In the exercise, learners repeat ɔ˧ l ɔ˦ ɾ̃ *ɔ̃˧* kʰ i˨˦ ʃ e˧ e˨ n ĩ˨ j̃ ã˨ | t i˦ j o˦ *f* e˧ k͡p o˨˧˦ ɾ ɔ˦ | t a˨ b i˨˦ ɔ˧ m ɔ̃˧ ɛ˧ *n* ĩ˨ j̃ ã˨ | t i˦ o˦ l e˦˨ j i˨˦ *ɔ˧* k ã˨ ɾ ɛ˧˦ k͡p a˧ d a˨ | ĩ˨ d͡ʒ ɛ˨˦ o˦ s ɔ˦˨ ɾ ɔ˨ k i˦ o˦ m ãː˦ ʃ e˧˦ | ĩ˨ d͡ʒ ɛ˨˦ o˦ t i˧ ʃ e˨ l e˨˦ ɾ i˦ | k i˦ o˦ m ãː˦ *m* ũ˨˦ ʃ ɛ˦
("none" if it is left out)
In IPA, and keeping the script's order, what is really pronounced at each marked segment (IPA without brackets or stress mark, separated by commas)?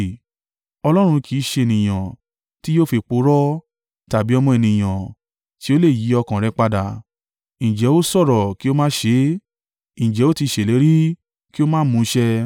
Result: ũ˧, f, n, ɔ˧, m